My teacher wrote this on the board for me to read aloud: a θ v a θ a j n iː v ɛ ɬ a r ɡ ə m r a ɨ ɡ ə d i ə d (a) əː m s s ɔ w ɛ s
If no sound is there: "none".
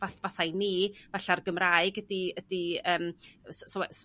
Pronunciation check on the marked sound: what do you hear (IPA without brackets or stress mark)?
i